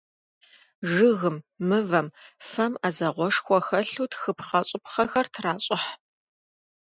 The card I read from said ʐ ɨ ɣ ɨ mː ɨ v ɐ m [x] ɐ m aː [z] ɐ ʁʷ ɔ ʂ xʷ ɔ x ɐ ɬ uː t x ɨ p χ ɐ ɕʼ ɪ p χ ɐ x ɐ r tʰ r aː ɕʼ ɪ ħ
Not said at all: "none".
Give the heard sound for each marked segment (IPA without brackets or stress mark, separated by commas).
f, z